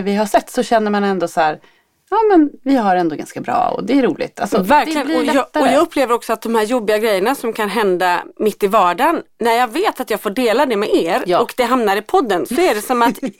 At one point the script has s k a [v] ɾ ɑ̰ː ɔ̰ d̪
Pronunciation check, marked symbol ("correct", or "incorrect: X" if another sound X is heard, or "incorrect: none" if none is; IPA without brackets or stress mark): incorrect: b